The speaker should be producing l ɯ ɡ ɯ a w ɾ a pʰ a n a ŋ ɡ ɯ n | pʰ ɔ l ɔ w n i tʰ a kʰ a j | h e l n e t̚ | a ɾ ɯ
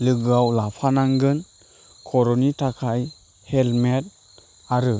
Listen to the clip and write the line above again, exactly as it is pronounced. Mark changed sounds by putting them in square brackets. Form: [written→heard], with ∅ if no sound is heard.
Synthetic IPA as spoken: l ɯ ɡ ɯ a w [ɾ→l] a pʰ a n a ŋ ɡ ɯ n | [pʰ→kʰ] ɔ [l→ɾ] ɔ [w→∅] n i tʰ a kʰ a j | h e l [n→m] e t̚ | a ɾ ɯ